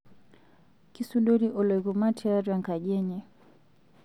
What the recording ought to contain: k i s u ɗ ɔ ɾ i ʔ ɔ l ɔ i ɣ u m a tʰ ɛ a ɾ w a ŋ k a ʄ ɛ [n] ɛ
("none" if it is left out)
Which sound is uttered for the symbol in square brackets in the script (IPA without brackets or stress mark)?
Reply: ɲ